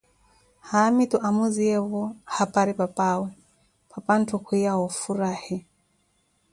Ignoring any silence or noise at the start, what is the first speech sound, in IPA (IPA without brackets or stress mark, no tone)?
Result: h